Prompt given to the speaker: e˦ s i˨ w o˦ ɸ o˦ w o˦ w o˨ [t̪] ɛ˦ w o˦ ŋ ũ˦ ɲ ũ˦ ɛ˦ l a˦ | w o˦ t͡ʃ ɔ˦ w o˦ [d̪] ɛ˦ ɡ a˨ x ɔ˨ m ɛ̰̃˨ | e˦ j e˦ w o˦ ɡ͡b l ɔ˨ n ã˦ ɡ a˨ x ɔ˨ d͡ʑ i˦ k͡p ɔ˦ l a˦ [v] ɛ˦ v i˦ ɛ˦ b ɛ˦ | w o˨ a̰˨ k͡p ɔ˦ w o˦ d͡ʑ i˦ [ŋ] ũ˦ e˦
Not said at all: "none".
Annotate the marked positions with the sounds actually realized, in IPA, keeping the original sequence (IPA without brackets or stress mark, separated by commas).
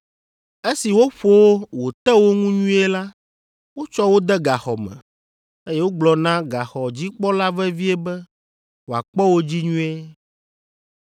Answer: t̪, d̪, v, ɲ